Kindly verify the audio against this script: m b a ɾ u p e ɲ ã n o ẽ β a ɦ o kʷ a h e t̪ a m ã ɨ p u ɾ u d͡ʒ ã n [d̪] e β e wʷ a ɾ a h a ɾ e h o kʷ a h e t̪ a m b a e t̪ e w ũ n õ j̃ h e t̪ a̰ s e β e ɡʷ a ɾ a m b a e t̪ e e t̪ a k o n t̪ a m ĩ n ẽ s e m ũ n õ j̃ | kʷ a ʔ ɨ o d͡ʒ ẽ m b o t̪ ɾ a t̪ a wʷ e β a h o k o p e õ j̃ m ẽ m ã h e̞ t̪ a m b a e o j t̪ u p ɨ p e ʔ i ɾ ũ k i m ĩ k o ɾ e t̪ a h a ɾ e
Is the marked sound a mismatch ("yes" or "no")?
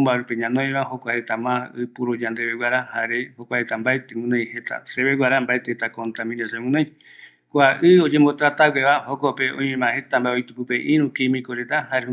no